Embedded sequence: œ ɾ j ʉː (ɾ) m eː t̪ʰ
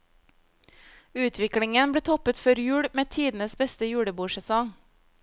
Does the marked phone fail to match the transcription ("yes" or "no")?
yes